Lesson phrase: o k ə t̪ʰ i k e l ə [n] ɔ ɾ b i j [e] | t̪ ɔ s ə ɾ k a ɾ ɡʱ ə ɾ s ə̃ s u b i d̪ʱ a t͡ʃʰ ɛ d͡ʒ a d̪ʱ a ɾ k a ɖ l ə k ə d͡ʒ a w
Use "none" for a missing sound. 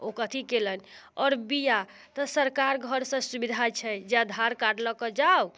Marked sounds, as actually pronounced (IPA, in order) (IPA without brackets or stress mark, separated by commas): n, a